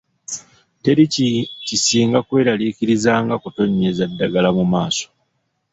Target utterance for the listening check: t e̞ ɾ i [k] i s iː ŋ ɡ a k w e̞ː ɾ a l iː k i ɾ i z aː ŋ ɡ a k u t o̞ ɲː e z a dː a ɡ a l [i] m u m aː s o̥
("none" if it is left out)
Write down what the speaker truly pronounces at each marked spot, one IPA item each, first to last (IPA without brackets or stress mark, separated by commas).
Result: c, a